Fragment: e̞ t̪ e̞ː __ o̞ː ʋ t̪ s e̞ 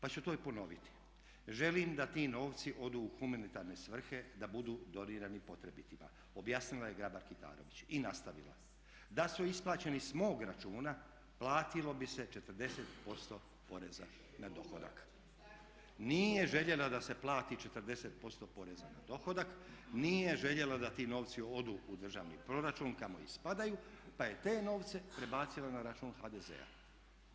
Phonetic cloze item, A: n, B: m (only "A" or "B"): A